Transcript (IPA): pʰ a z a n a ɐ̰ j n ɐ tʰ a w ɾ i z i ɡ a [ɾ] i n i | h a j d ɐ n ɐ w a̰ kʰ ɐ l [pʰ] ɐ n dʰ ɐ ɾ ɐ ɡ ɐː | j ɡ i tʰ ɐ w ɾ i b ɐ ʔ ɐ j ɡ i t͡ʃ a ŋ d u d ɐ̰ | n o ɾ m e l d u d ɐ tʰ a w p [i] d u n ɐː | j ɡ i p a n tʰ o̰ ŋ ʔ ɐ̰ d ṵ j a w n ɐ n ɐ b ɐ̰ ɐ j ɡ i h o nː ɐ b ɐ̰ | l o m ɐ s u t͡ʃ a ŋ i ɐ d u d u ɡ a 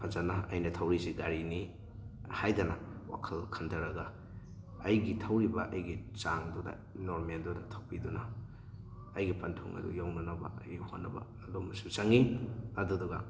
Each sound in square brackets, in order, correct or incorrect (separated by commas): correct, incorrect, correct